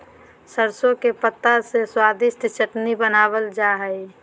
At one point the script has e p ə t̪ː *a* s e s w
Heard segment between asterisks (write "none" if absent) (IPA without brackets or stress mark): a